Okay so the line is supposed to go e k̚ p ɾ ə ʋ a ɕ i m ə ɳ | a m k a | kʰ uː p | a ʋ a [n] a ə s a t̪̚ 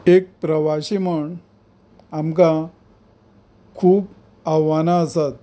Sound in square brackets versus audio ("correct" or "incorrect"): correct